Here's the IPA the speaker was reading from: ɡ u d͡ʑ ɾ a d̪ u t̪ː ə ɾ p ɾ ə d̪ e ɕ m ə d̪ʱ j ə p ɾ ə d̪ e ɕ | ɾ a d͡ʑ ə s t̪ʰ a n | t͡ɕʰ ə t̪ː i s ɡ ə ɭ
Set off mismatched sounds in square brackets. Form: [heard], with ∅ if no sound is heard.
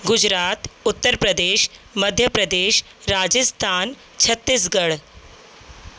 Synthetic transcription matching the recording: ɡ u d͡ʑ ɾ a [t̪] u t̪ː ə ɾ p ɾ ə d̪ e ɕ m ə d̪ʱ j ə p ɾ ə d̪ e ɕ | ɾ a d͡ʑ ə s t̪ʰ a n | t͡ɕʰ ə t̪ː i s ɡ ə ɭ

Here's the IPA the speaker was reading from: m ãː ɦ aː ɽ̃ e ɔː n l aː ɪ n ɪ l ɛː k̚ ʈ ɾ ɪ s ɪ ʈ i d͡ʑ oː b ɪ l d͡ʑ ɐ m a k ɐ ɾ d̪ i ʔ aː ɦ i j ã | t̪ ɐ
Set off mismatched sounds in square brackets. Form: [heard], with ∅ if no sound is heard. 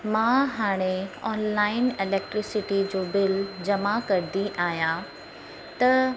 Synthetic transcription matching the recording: m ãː ɦ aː ɽ̃ e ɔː n l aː ɪ n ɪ l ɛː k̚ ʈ ɾ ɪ s ɪ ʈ i d͡ʑ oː b ɪ l d͡ʑ ɐ m a k ɐ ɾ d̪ i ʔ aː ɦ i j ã | t̪ ɐ

